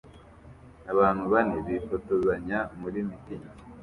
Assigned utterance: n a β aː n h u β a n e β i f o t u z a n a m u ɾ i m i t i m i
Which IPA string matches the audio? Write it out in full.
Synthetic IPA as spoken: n a β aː n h u β a n e β i f o t o z a ɲ a m u ɾ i m i t i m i

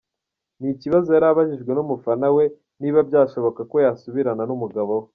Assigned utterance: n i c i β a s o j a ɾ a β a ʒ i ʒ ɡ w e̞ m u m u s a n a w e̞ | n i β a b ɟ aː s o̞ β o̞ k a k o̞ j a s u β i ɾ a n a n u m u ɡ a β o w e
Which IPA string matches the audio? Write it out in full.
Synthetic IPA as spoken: n i c i β a z o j a ɾ a β a ʒ i ʒ ɡ w e̞ n u m u f a n a w e̞ | n i β a b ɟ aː ʃ o̞ β o̞ k a k o̞ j a s u β i ɾ a n a n u m u ɡ a β o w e

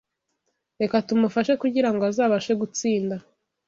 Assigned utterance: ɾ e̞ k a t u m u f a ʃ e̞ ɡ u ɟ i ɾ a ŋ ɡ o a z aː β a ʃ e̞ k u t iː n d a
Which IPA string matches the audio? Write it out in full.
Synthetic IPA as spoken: ɾ e̞ k a t u m u f a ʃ e̞ k u ɟ i ɾ a ŋ ɡ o a z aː β a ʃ e̞ ɡ u t͡s iː n d a

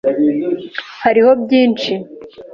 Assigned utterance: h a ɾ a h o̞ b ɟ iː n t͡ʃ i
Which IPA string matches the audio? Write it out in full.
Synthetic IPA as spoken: h a ɾ i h o̞ b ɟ iː n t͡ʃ i

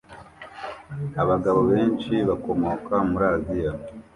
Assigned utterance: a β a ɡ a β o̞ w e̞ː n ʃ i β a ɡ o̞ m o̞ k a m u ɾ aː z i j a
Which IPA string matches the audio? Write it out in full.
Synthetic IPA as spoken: a β a ɡ a β o̞ β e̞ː n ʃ i β a k o̞ m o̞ k a m u ɾ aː z i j a

